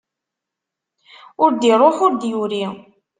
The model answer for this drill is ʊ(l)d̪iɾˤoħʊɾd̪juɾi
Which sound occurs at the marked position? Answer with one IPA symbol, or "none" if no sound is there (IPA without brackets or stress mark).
ɾ